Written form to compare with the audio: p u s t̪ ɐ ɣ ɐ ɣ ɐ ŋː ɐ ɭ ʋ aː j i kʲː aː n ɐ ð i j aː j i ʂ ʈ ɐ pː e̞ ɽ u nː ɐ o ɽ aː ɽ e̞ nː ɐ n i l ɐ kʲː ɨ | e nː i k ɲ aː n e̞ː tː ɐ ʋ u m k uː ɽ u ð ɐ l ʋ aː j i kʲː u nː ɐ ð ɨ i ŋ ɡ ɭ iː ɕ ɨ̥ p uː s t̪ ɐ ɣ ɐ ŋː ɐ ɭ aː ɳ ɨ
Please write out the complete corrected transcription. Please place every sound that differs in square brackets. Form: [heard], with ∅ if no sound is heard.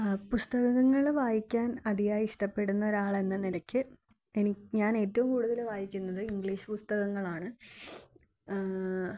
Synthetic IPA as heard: p u s t̪ ɐ ɣ ɐ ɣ ɐ ŋː ɐ ɭ ʋ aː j i kʲː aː n ɐ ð i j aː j i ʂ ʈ ɐ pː e̞ ɽ u nː ɐ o [ɾ] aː [ɭ] e̞ nː ɐ n i l ɐ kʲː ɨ | e [n] i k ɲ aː n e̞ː tː ɐ ʋ u m k uː ɽ u ð ɐ l ʋ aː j i kʲː u nː ɐ ð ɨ i ŋ ɡ ɭ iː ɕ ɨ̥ p [u] s t̪ ɐ ɣ ɐ ŋː ɐ ɭ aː ɳ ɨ